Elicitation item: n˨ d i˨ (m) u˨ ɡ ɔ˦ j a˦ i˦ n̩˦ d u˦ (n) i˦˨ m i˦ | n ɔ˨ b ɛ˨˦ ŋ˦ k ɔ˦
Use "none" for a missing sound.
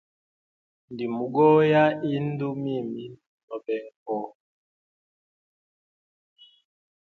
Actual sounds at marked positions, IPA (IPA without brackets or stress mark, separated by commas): m, m